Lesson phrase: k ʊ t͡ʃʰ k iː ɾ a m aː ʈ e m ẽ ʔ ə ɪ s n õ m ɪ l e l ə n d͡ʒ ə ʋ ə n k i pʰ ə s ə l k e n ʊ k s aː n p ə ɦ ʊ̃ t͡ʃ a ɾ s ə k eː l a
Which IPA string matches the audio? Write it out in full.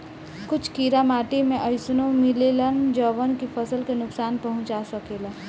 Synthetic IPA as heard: k ʊ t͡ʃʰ k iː ɾ a m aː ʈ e m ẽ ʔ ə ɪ s n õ m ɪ l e l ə n d͡ʒ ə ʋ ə n k i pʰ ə s ə l k e n ʊ k s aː n p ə ɦ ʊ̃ t͡ʃ a s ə k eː l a